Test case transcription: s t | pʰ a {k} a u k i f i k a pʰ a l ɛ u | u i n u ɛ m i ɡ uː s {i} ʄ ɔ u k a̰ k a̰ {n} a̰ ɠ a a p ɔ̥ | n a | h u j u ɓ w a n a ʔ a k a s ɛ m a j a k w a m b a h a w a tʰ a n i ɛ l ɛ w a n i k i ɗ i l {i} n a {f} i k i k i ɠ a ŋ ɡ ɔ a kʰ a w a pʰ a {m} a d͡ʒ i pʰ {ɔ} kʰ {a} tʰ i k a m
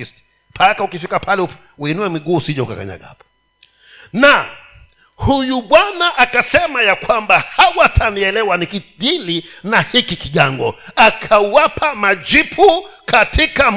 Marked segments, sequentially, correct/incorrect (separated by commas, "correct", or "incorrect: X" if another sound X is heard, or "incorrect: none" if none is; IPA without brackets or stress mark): correct, correct, incorrect: ɲ, correct, incorrect: h, correct, incorrect: u, correct